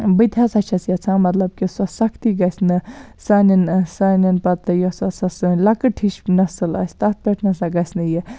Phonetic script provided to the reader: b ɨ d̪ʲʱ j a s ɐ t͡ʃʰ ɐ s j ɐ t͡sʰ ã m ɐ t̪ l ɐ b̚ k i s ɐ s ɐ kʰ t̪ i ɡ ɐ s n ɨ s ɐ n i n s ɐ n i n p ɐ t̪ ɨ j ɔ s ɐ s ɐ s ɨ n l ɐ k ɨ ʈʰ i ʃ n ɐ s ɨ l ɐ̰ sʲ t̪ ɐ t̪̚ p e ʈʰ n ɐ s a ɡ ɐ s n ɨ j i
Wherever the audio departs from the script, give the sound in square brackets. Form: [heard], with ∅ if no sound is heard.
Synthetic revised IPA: b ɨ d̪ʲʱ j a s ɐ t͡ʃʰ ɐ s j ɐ t͡sʰ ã m ɐ t̪ l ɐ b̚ k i s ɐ s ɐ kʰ t̪ i ɡ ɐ s n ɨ s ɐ n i n s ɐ n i n p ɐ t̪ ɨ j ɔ s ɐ s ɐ s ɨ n l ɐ k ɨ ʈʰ i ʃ n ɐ s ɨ l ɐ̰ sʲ t̪ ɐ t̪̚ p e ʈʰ n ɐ s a ɡ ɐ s n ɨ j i